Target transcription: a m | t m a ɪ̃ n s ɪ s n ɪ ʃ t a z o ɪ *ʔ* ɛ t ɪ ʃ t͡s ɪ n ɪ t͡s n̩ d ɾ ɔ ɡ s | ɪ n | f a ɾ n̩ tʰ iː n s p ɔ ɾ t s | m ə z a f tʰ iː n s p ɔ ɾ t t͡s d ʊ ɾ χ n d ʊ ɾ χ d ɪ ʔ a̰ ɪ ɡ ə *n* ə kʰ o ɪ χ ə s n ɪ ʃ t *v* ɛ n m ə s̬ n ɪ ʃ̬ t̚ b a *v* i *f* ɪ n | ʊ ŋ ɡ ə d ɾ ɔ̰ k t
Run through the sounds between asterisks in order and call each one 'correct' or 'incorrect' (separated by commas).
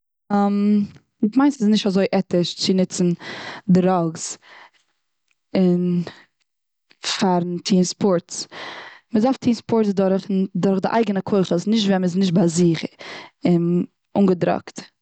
correct, correct, correct, incorrect, incorrect